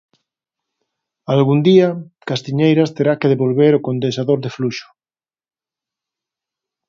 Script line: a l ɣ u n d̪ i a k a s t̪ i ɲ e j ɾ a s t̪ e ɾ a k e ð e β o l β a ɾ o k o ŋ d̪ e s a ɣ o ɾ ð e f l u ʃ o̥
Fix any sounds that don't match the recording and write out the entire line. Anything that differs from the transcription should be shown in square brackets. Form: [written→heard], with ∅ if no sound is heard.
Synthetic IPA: a l ɣ u n d̪ i a k a s t̪ i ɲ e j ɾ a s t̪ e ɾ a k e ð e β o l β [a→e] ɾ o k o [ŋ→n] d̪ e s a [ɣ→ð] o ɾ ð e f l u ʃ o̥